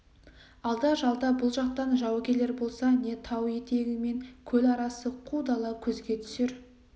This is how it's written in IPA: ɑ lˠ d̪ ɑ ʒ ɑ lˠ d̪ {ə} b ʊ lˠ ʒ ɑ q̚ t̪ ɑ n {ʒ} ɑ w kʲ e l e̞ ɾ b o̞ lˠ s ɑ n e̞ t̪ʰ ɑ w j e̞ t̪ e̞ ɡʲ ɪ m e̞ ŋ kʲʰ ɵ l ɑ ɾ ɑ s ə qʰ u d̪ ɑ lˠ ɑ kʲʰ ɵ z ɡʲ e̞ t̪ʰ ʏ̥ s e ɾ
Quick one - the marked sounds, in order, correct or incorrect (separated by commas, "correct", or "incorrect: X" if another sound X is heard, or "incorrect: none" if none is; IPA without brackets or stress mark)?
incorrect: ɑ, correct